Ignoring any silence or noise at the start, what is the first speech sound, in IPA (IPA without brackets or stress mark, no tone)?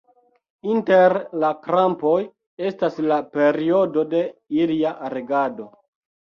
i